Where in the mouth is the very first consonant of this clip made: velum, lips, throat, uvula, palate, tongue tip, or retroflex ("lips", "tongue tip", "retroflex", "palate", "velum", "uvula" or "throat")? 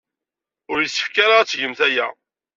tongue tip